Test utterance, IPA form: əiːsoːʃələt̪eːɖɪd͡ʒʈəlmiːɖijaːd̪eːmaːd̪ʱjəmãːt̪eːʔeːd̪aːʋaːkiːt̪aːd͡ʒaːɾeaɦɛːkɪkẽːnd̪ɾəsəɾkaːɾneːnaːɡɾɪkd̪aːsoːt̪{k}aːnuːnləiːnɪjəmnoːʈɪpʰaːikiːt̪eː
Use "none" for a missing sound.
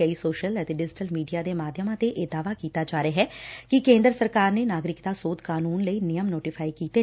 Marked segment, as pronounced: k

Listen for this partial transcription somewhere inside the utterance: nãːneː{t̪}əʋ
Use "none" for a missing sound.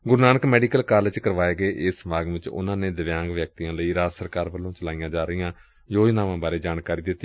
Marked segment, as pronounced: d̪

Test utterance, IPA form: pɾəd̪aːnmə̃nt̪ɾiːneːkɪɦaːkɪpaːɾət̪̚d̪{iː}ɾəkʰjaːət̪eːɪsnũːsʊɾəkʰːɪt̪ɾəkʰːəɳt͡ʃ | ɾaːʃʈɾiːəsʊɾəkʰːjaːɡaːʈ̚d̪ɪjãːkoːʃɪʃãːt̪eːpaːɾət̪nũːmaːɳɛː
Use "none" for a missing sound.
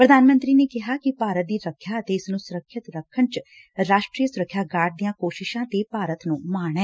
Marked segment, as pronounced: iː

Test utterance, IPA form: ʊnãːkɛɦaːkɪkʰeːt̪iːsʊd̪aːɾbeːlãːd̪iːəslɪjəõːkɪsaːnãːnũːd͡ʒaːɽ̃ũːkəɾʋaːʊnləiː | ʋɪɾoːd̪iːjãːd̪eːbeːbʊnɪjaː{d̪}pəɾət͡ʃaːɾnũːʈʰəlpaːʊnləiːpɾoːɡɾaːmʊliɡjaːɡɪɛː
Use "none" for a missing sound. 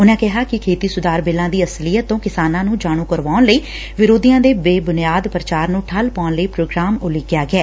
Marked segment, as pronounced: d̪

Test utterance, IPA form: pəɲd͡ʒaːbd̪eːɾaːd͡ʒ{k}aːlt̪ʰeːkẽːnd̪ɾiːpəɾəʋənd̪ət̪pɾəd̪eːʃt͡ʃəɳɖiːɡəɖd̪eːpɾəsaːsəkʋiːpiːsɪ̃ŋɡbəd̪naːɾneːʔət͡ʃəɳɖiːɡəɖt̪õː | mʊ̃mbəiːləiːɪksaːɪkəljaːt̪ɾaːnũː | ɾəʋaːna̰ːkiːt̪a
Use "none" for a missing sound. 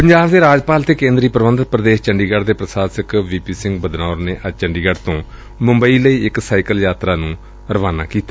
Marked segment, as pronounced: p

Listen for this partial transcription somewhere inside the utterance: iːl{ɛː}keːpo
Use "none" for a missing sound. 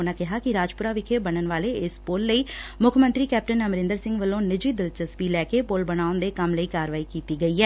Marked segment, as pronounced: ɛː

